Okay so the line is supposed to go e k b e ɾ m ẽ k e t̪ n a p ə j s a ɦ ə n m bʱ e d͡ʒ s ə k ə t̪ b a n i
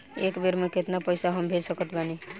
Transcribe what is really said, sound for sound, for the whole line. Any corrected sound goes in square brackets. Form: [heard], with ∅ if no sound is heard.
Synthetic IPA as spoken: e k b e ɾ m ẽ k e t̪ n a p ə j s a ɦ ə [∅] m bʱ e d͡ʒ s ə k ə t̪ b a n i